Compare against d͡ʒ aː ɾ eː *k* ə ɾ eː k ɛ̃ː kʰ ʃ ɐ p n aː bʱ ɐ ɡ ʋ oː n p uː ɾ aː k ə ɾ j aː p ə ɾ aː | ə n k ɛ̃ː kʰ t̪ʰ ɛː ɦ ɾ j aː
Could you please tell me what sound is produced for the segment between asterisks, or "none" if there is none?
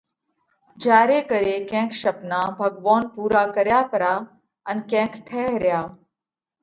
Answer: k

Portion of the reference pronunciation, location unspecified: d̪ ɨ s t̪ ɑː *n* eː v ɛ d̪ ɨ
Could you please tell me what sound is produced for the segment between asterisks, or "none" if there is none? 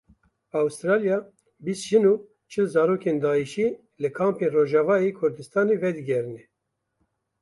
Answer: n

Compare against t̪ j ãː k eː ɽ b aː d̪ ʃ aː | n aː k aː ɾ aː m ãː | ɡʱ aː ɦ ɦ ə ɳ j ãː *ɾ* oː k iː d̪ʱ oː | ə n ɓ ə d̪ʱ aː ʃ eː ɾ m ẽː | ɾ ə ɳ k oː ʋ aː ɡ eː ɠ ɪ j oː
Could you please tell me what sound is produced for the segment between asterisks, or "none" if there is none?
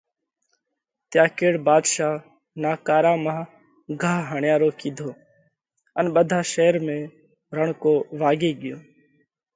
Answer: ɾ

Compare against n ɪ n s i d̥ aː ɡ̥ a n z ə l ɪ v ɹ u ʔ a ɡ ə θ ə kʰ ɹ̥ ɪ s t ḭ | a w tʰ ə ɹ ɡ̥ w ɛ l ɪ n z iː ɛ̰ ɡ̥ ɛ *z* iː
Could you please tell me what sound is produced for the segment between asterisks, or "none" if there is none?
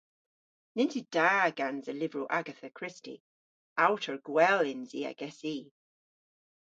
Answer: s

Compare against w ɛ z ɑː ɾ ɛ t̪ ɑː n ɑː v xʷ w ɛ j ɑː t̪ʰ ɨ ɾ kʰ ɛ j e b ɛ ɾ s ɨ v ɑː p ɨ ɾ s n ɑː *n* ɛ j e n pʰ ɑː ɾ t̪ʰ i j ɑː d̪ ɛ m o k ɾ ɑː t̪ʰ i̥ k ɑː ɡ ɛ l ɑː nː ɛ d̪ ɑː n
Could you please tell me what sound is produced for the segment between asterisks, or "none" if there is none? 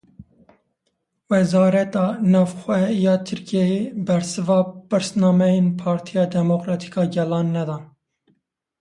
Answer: m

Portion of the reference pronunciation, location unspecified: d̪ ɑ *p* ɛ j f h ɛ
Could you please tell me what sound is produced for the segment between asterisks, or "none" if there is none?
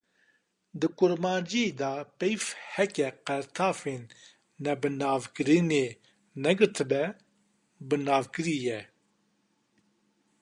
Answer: p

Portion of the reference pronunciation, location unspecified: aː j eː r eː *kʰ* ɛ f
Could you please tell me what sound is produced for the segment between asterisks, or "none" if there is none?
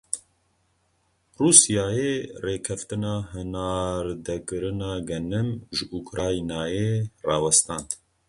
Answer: kʰ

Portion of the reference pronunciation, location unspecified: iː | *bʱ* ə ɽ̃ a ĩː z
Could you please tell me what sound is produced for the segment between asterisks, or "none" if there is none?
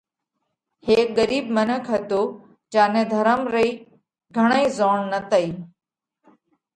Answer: ɡʱ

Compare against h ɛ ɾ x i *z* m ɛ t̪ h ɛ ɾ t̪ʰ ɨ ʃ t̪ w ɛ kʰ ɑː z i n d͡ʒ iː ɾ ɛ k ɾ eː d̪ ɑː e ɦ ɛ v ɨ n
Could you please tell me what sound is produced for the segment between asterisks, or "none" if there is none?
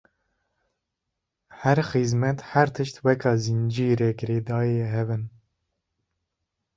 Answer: z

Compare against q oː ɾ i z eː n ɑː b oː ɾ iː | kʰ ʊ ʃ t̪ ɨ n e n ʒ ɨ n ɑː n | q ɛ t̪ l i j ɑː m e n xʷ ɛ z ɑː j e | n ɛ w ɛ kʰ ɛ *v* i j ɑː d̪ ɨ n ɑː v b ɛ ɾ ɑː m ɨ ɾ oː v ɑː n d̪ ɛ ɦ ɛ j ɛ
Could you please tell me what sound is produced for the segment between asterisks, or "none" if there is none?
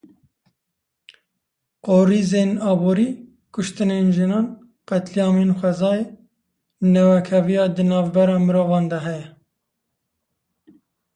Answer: v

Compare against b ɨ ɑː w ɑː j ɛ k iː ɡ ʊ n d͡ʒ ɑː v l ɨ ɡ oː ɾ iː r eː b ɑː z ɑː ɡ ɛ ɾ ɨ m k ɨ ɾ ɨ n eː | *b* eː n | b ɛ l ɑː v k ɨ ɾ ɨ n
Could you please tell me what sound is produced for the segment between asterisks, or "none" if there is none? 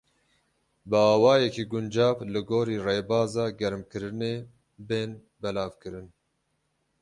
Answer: b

